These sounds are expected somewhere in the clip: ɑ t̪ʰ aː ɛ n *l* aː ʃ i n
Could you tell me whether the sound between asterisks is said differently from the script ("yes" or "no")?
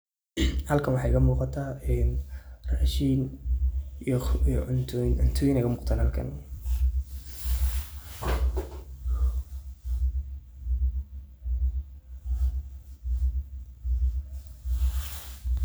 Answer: yes